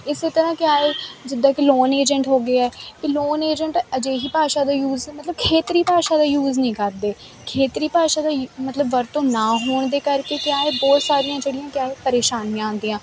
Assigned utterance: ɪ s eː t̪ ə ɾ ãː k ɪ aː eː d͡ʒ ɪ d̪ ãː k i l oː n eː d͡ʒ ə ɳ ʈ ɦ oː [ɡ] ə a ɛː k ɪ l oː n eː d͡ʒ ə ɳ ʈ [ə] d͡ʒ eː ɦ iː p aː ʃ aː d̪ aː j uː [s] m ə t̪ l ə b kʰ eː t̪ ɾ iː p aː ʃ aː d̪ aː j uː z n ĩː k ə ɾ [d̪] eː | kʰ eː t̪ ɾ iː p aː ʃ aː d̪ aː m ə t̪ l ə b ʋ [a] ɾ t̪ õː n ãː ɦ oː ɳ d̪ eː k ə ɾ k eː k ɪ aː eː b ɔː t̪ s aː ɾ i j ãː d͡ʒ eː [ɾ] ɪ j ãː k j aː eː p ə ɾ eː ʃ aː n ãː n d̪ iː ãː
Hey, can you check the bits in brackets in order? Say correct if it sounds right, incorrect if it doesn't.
correct, correct, incorrect: z, correct, incorrect: ə, incorrect: ɽ

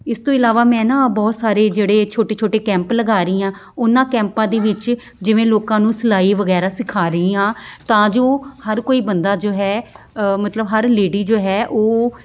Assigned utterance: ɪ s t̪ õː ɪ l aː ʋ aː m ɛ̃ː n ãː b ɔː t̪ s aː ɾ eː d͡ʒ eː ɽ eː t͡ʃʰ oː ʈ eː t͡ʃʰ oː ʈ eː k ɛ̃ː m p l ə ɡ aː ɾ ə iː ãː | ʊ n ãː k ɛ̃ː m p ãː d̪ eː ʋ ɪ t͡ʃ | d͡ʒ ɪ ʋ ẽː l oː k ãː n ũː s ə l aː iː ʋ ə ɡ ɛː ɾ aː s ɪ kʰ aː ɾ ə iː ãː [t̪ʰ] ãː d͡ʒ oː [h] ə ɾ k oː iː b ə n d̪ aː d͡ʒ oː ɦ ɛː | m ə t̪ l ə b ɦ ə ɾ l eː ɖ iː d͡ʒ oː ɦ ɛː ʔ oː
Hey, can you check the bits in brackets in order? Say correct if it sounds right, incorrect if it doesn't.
incorrect: t̪, correct

